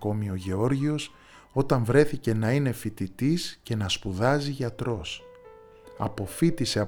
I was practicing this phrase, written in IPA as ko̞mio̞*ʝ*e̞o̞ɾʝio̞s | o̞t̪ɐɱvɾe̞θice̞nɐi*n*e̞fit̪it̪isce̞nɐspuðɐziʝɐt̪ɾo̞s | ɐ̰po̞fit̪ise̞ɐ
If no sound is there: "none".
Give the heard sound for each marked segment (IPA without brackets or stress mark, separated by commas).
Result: ʝ, n